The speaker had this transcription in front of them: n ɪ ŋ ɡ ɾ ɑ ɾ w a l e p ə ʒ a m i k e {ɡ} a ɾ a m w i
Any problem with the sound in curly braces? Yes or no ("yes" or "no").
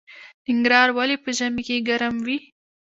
no